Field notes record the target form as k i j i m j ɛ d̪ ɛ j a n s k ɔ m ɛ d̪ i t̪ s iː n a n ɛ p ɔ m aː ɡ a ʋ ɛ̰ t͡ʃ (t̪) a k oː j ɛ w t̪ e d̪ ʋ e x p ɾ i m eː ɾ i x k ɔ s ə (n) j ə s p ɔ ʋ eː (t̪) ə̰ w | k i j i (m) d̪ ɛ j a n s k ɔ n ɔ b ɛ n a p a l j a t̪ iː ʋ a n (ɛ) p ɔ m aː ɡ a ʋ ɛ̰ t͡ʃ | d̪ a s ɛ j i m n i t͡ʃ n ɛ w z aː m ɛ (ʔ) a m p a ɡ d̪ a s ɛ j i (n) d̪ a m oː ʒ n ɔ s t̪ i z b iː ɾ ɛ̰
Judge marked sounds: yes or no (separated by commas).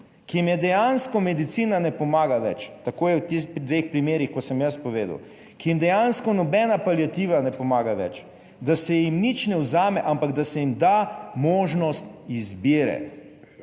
yes, no, no, yes, yes, yes, no